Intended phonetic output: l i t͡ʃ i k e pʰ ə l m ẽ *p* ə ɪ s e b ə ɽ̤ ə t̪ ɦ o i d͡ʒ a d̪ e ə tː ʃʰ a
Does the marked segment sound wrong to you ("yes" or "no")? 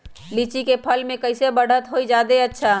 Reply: yes